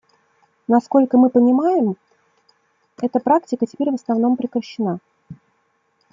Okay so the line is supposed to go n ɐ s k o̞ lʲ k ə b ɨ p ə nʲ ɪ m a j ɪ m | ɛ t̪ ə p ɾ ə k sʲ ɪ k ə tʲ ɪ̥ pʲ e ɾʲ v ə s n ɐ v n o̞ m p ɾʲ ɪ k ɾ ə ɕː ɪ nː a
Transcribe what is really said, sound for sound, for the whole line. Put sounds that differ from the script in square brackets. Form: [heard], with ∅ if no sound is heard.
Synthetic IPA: n ɐ s k o̞ lʲ k ə [m] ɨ p ə nʲ ɪ m a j ɪ m | ɛ t̪ ə p ɾ [a] k [tʲ] ɪ k ə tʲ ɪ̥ pʲ e ɾʲ v ə s n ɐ v n o̞ m p ɾʲ ɪ k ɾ ə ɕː ɪ [n] a

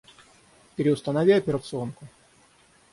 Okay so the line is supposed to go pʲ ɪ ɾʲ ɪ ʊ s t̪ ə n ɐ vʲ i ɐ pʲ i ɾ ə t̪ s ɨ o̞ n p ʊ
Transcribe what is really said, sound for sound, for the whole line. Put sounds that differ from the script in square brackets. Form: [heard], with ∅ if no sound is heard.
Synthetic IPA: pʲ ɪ ɾʲ ɪ ʊ s t̪ ə n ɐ vʲ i ɐ pʲ [ɪ] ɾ ə t̪ s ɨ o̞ n [k] ʊ

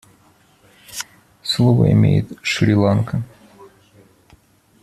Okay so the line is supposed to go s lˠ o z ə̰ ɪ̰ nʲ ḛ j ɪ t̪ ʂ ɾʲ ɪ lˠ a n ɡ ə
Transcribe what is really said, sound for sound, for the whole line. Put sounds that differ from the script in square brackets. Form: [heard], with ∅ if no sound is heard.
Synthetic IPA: s lˠ o [v] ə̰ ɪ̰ [mʲ] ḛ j ɪ t̪ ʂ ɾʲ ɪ lˠ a n [k] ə

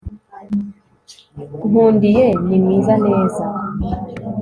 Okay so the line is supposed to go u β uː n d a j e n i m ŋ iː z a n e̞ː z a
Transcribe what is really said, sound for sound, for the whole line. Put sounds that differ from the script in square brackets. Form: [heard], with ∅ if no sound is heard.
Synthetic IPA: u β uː n d [i] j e n i m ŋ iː z a n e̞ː z a

